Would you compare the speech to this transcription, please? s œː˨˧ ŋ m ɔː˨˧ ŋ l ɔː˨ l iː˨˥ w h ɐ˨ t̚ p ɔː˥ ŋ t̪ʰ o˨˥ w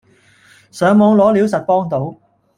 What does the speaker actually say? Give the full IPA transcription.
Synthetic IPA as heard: s œː˨˧ ŋ m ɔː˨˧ ŋ l ɔː˨˥ l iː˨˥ w s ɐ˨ t̚ p ɔː˥ ŋ t̪ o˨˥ w